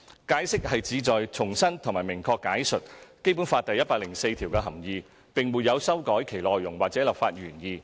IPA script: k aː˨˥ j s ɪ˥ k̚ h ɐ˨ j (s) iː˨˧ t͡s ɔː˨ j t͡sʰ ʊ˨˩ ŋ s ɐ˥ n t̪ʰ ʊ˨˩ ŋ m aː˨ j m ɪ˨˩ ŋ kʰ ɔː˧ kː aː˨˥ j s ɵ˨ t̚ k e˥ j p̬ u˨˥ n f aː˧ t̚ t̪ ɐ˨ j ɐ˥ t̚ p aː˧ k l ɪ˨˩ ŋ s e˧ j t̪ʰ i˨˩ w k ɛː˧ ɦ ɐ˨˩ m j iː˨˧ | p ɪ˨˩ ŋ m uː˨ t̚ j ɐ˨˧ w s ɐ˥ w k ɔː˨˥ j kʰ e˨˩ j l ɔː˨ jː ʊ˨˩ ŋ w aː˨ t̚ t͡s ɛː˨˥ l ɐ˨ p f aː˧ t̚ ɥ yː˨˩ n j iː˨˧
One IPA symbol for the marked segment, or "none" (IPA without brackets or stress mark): t͡s